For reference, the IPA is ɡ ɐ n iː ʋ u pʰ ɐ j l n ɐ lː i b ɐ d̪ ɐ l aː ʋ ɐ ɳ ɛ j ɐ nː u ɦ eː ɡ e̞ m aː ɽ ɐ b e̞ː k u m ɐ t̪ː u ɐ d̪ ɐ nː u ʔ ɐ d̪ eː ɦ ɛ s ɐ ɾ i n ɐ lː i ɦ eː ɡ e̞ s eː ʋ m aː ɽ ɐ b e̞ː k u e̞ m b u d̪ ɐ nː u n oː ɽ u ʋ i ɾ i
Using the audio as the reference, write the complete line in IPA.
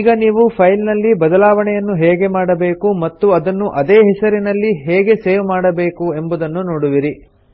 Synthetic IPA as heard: ɡ ɐ n iː ʋ u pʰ ɐ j l n ɐ lː i b ɐ d̪ ɐ l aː ʋ ɐ ɳ ɛ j ɐ nː u ɦ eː ɡ e̞ m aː ɽ ɐ b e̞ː k u m ɐ t̪ː u ɐ d̪ ɐ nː u ʔ ɐ d̪ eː ɦ ɛ s ɐ ɾ i n ɐ lː i ɦ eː ɡ e̞ s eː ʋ m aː ɽ ɐ b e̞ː k u e̞ m b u d̪ ɐ nː u n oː ɽ u ʋ i ɾ i

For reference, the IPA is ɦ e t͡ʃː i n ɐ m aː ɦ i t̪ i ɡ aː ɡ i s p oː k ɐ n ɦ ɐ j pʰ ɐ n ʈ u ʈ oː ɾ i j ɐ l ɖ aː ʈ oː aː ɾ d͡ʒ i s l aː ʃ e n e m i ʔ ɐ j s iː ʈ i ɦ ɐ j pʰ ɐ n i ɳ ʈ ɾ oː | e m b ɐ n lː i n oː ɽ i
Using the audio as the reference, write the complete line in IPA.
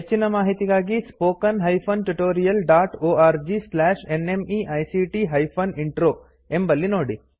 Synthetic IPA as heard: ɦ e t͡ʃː i n ɐ m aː ɦ i t̪ i ɡ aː ɡ i s p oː k ɐ n ɦ ɐ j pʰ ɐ n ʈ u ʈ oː ɾ i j ɐ l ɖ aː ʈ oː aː ɾ d͡ʒ i s l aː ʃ e n e m i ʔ ɐ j s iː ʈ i ɦ ɐ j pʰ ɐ n i ɳ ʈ ɾ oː | e m b ɐ lː i n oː ɽ i

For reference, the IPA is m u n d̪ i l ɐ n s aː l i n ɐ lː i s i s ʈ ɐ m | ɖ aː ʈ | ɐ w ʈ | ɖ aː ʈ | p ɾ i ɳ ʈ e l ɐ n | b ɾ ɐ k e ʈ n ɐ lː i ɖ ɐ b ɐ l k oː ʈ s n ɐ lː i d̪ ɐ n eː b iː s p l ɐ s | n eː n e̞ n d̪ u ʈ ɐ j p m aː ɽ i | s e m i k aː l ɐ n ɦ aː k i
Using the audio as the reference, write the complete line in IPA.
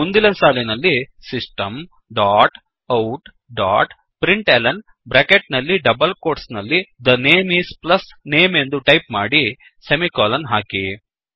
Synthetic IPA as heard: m u n d̪ i l ɐ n s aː l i n ɐ lː i s i s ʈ ɐ m | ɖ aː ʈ | ɐ w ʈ | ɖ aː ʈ | p ɾ i ɳ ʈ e l ɐ n | b ɾ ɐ k e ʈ n ɐ lː i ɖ ɐ b ɐ l k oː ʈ s n ɐ lː i d̪ ɐ n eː m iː s p l ɐ s | n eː m e̞ n d̪ u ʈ ɐ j p m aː ɽ i | s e m i k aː l ɐ n ɦ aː k i

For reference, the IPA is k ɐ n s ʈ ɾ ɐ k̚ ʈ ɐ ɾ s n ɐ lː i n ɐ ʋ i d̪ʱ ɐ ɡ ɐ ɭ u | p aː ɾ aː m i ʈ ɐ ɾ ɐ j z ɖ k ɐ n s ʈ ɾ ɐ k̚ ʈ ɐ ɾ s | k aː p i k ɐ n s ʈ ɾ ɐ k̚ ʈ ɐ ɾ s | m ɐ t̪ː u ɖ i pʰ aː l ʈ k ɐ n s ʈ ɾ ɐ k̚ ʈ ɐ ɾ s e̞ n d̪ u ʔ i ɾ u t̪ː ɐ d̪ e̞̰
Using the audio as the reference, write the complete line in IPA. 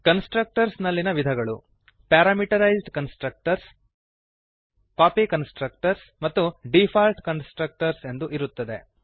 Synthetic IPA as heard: k ɐ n s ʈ ɾ ɐ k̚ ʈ ɐ ɾ s n ɐ lː i n ɐ ʋ i d̪ʱ ɐ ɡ ɐ ɭ u | p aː ɾ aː m i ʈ ɐ ɾ ɐ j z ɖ k ɐ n s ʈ ɾ ɐ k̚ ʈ ɐ ɾ s | k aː p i k ɐ n s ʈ ɾ ɐ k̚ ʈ ɐ ɾ s | m ɐ t̪ː u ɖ i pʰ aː l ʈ k ɐ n s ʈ ɾ ɐ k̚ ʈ ɐ ɾ s e̞ n d̪ u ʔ i ɾ u t̪ː ɐ d̪ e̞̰

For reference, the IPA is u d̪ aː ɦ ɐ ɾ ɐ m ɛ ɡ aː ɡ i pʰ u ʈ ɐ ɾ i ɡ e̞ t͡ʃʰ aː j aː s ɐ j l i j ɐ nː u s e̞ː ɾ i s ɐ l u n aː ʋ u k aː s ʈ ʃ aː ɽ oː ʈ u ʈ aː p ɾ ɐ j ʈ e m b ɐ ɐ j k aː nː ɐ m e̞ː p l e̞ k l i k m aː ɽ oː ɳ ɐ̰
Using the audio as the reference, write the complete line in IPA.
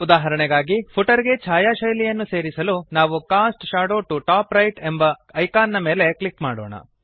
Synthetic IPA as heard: u d̪ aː ɦ ɐ ɾ ɐ ɳ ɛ ɡ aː ɡ i pʰ u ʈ ɐ ɾ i ɡ e̞ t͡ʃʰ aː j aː ʃ ɐ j l i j ɐ nː u s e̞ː ɾ i s ɐ l u n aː ʋ u k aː s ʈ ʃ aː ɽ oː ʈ u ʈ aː p ɾ ɐ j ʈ e m b ɐ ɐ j k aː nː ɐ m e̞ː l e̞ k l i k m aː ɽ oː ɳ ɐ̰

